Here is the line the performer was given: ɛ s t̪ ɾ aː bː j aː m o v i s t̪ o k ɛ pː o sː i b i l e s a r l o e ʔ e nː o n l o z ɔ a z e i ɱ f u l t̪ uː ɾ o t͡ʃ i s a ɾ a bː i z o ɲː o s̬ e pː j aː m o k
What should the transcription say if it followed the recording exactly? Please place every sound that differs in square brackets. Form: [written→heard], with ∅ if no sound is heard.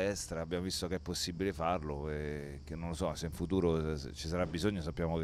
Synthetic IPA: ɛ s t̪ ɾ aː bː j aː m o v i s t̪ o k ɛ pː o sː i b i l e [s→f] a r l o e [ʔ→k] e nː o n l o [z→s] ɔ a [z→s] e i ɱ f u [l→∅] t̪ uː ɾ o t͡ʃ i s a ɾ a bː i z o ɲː o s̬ [e→a] pː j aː m o k